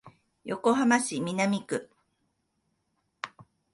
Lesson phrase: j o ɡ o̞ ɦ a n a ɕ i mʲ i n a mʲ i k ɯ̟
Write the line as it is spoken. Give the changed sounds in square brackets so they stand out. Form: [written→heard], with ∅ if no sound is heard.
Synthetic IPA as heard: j o [ɡ→k] o̞ ɦ a [n→m] a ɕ i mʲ i n a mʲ i k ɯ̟